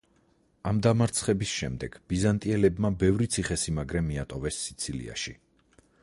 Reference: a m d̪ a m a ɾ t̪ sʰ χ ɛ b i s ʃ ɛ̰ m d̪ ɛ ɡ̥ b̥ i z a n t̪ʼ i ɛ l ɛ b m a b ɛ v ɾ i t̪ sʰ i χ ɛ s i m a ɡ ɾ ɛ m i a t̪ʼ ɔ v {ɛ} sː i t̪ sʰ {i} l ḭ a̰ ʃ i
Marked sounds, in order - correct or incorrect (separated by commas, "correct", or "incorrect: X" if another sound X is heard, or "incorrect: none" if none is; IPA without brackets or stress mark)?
correct, correct